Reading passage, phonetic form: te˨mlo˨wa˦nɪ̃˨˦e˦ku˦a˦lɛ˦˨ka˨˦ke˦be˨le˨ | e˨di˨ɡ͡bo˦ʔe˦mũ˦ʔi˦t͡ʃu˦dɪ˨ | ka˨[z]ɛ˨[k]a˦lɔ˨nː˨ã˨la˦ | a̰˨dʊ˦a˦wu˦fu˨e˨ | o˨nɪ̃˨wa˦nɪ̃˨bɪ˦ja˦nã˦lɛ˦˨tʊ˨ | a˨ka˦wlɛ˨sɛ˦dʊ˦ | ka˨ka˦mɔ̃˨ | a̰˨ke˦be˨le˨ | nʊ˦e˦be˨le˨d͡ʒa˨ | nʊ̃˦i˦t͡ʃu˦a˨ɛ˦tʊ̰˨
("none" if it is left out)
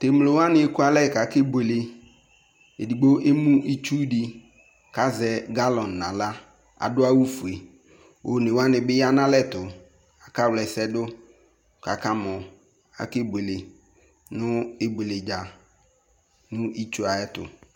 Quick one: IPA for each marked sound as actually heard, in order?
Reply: z, ɡ

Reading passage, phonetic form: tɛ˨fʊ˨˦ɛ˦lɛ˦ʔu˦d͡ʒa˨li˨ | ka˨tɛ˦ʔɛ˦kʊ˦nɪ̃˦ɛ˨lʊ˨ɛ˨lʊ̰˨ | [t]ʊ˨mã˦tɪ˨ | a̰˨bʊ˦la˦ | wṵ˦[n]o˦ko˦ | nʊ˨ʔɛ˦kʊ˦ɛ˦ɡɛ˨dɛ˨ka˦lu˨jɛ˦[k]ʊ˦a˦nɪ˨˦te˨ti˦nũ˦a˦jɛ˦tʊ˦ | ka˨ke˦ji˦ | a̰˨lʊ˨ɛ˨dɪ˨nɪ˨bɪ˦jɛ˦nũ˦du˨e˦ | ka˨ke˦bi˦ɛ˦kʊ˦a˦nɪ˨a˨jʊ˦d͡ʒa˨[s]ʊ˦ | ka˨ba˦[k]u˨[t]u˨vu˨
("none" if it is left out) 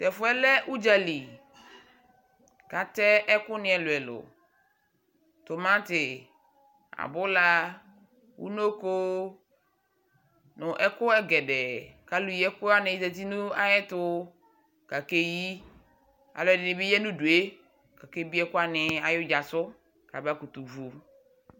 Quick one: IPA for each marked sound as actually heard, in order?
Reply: t, n, k, s, k, t

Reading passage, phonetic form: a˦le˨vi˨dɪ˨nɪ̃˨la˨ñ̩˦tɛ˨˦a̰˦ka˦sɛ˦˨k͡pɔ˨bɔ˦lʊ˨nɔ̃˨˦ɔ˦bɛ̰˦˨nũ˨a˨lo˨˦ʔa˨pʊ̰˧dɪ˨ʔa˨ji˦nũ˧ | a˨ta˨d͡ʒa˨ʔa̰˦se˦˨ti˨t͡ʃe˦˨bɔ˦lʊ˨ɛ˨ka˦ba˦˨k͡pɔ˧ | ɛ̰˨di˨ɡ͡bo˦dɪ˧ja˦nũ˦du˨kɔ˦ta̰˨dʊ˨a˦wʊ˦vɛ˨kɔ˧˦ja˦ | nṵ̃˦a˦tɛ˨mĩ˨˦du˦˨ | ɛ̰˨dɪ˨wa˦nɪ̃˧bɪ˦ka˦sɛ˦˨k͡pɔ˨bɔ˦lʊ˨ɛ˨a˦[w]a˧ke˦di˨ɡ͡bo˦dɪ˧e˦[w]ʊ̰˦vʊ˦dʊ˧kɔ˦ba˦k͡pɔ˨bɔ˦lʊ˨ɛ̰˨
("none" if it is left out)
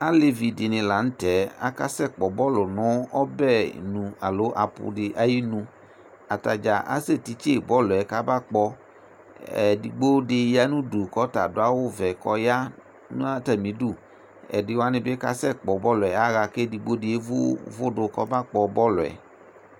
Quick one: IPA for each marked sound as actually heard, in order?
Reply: ɣ, v

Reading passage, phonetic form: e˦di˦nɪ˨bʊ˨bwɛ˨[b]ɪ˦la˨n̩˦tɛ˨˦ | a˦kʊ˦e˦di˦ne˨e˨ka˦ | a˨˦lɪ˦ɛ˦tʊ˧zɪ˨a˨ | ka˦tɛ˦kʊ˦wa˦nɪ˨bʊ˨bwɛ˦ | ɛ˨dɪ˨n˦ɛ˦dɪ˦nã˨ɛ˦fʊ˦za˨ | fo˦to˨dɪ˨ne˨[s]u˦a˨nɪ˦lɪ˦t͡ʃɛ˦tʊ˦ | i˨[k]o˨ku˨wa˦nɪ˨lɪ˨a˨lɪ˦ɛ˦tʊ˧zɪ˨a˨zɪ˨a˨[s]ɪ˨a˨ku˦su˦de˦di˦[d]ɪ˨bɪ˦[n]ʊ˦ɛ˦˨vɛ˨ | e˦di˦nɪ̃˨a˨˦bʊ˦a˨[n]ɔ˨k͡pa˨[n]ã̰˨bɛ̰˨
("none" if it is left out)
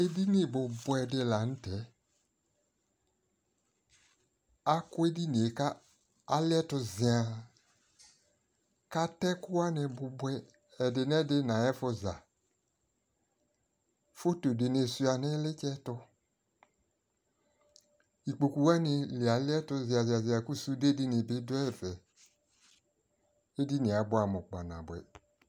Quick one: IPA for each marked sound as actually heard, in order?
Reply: d, s, k͡p, z, n, d, m, n

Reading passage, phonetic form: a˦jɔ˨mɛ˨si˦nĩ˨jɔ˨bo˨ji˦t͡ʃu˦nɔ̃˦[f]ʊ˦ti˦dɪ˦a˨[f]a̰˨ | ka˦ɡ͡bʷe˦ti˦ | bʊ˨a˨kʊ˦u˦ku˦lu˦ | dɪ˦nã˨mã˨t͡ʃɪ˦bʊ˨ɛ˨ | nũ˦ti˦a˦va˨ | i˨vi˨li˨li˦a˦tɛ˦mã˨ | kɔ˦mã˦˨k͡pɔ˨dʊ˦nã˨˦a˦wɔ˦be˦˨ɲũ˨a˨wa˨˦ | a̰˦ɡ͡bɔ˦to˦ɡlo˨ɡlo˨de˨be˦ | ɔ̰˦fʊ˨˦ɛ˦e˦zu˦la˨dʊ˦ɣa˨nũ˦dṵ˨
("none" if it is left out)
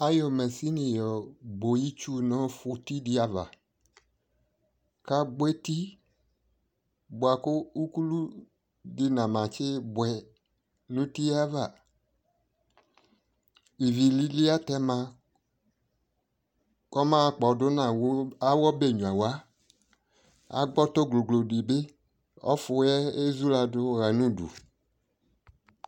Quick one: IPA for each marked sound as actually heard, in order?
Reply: f, v

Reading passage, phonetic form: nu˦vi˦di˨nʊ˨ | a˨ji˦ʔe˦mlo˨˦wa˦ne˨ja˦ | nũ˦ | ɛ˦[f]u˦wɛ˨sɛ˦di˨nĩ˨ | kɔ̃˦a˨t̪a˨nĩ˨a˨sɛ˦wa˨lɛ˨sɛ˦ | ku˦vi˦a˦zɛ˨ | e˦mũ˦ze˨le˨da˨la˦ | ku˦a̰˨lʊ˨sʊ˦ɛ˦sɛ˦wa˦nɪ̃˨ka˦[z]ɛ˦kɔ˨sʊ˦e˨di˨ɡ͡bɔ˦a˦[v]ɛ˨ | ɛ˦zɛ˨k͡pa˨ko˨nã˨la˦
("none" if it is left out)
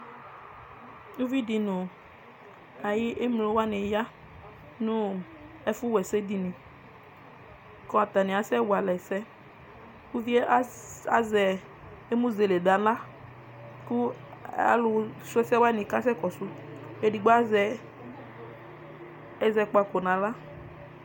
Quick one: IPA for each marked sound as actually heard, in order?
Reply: f, s, z

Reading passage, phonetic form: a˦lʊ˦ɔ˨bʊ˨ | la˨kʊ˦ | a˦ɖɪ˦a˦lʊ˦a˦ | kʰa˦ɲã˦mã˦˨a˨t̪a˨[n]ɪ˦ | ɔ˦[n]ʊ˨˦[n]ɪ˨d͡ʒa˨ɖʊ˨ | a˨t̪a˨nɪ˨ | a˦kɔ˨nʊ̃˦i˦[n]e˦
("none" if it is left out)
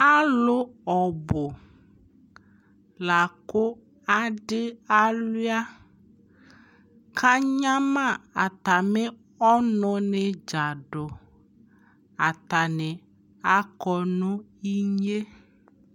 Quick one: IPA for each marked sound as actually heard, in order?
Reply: m, n, n, ɲ

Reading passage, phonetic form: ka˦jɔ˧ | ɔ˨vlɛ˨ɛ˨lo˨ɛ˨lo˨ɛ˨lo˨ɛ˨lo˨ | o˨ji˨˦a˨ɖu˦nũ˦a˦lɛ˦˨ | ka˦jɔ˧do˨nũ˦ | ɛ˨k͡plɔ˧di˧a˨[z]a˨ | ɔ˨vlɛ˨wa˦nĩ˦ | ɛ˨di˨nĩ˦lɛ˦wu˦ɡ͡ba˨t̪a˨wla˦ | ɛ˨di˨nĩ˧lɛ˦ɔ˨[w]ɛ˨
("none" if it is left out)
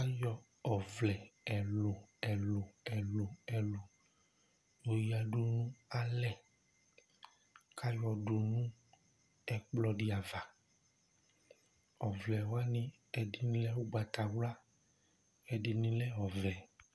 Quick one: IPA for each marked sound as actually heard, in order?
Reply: v, v

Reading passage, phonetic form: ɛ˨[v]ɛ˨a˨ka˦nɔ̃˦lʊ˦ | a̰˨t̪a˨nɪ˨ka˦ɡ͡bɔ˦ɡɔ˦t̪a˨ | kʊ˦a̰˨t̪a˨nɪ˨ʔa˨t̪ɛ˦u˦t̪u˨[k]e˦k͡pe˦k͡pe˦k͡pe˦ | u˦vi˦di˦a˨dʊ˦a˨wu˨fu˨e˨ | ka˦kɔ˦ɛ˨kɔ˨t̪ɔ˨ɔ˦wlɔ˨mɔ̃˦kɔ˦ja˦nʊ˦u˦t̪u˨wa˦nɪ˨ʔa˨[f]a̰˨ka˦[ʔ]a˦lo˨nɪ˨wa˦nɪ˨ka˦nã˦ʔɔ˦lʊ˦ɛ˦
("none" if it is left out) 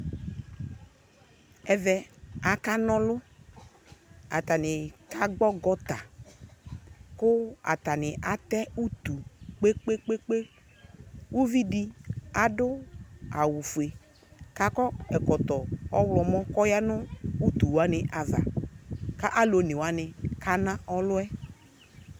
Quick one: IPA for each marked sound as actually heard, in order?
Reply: v, k͡p, v, ʔ

